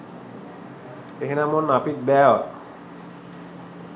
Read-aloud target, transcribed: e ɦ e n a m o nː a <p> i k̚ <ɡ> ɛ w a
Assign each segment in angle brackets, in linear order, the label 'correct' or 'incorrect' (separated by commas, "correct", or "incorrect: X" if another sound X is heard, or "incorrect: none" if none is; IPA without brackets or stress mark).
correct, incorrect: b